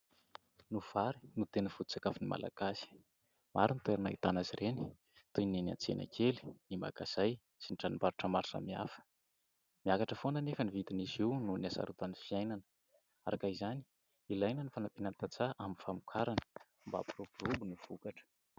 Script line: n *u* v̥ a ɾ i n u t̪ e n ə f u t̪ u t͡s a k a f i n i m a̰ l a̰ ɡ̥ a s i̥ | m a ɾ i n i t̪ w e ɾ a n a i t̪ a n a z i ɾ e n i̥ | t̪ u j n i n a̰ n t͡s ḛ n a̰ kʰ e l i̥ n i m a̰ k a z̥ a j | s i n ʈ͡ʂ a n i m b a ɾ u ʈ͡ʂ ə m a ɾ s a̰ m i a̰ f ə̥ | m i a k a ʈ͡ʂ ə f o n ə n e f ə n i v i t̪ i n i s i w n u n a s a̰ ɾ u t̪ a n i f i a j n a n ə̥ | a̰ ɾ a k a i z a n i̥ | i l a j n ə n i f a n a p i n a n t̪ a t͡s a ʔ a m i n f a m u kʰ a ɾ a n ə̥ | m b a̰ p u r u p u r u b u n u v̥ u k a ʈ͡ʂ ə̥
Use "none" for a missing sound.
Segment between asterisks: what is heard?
u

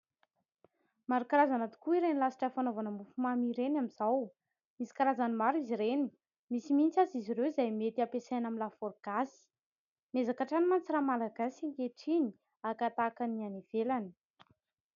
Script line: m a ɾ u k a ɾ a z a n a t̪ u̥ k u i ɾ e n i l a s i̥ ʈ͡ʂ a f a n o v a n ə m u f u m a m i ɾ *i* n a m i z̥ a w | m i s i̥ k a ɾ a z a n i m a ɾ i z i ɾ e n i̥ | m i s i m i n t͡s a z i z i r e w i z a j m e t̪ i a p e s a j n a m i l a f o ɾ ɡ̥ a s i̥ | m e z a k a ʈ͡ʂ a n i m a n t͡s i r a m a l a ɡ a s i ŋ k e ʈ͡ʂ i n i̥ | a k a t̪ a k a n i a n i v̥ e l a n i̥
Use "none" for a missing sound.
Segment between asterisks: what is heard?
e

